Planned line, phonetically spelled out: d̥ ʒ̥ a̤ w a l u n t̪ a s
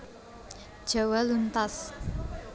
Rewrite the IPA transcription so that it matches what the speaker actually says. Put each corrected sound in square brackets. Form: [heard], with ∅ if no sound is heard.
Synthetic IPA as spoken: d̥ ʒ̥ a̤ w a l u n t̪ a s